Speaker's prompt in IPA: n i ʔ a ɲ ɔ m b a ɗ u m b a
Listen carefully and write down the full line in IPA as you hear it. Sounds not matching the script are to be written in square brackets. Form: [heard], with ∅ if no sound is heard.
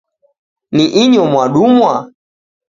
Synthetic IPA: n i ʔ [i] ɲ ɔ m [w] a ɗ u m [w] a